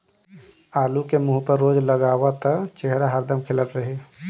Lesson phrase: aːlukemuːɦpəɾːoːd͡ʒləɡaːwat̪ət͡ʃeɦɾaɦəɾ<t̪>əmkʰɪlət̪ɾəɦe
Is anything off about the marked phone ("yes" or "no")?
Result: yes